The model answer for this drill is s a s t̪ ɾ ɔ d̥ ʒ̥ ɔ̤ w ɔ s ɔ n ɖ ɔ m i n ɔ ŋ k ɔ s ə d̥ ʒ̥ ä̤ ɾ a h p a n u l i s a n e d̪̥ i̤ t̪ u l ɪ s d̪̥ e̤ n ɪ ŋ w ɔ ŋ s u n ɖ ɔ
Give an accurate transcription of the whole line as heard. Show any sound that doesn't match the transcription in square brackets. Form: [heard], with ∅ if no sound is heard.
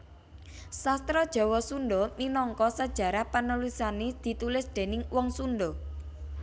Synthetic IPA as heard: s a s t̪ ɾ ɔ d̥ ʒ̥ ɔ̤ w ɔ s [u] n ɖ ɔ m i n ɔ ŋ k ɔ s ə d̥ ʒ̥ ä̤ ɾ a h p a n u l i s a n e d̪̥ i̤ t̪ u l ɪ s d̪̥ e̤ n ɪ ŋ w ɔ ŋ s u n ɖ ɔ